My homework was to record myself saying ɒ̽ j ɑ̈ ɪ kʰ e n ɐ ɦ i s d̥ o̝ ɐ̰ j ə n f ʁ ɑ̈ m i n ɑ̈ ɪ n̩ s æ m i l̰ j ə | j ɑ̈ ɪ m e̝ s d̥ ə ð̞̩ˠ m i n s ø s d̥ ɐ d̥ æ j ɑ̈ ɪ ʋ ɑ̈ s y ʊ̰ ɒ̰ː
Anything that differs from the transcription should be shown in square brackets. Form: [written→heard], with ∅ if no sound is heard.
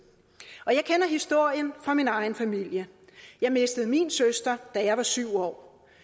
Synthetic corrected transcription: ɒ̽ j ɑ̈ ɪ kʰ e n ɐ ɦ i s d̥ o̝ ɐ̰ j ə n f ʁ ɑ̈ m i n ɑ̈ ɪ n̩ [s→f] æ m i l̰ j ə | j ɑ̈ ɪ m e̝ s d̥ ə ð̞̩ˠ m i n s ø s d̥ ɐ d̥ æ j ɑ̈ ɪ ʋ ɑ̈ s y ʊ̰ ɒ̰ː